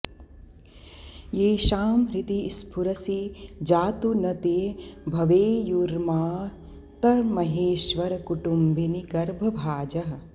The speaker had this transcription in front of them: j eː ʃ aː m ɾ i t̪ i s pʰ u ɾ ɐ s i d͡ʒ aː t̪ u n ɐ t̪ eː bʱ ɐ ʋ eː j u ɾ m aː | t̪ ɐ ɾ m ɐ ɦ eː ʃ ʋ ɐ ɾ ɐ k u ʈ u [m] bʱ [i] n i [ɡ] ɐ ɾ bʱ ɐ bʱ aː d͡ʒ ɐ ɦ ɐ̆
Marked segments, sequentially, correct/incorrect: correct, correct, correct

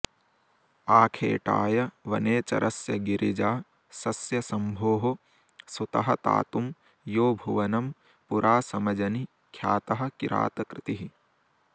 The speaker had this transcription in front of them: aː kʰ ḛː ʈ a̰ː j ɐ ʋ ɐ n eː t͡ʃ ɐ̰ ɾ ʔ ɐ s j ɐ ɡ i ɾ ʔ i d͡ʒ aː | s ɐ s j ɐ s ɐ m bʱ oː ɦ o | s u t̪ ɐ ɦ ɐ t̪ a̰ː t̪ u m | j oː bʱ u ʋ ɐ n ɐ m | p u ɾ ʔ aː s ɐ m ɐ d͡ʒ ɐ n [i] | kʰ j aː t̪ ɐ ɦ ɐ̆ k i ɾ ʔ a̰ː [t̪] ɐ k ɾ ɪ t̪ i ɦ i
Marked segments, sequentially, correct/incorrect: correct, correct

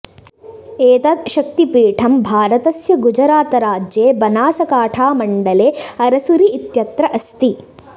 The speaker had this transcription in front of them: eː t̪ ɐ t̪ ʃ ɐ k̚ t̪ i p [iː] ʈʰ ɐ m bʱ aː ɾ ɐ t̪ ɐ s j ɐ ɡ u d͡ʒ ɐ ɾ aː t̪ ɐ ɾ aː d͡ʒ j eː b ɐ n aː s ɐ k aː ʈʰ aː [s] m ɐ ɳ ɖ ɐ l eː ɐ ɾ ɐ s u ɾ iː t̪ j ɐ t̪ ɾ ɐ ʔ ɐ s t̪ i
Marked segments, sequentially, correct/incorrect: correct, incorrect

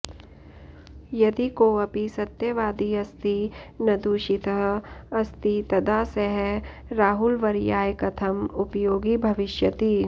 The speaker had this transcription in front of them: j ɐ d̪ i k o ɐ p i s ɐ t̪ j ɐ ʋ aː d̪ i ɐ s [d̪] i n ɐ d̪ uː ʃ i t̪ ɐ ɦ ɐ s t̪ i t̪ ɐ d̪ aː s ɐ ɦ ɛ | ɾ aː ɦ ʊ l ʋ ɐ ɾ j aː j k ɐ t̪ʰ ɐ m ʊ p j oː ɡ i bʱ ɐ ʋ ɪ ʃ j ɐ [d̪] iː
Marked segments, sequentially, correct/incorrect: incorrect, incorrect

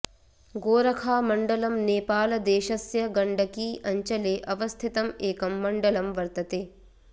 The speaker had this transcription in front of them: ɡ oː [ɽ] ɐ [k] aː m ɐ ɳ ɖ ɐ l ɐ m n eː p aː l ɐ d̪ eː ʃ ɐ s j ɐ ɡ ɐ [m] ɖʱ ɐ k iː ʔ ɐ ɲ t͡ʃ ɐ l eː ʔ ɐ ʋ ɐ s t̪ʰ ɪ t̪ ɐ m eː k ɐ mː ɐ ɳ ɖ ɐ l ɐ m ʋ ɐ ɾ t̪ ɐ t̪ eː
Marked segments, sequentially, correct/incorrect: incorrect, incorrect, incorrect

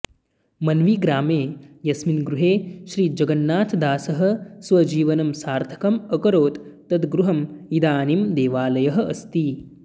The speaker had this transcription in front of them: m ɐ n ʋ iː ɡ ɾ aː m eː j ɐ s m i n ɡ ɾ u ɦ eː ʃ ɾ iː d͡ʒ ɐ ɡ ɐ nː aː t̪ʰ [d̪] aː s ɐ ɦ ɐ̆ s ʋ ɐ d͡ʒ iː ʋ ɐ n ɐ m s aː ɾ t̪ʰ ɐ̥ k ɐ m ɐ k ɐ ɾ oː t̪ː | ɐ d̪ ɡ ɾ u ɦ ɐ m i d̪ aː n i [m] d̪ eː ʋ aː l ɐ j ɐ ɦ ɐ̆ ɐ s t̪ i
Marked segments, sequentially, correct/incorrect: correct, correct

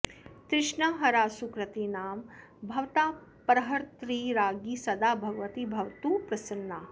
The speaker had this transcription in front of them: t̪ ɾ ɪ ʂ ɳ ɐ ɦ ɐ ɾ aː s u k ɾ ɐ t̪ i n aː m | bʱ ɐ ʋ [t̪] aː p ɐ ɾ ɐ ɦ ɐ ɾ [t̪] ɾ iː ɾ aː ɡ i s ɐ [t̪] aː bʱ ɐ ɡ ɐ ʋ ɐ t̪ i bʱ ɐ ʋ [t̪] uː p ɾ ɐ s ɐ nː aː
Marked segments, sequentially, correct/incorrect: correct, correct, incorrect, correct

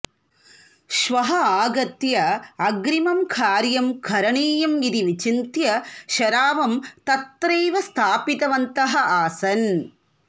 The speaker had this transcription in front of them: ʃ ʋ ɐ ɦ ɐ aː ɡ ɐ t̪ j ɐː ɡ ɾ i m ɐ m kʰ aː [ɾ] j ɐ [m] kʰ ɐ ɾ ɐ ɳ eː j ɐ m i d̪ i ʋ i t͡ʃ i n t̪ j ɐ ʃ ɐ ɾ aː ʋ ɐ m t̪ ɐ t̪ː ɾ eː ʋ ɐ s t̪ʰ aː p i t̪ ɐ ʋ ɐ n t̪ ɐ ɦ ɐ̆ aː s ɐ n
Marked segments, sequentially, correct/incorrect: correct, correct

